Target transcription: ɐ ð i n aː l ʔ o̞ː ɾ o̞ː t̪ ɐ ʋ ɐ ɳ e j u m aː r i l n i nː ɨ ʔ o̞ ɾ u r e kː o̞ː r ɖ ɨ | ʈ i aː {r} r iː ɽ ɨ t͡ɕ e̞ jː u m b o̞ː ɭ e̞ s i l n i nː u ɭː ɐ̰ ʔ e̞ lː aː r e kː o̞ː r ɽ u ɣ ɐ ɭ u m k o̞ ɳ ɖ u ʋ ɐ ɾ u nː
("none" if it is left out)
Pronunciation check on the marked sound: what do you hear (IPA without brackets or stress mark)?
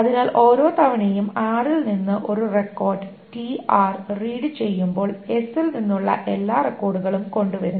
r